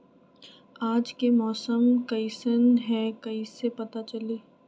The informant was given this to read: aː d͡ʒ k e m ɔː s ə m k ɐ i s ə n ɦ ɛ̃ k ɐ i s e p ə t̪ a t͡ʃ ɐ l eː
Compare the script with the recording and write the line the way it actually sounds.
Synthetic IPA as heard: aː d͡ʒ k e m ɔː s ə m k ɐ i s ə n ɦ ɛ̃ k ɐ i s e p ɐ t̪ a t͡ʃ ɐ l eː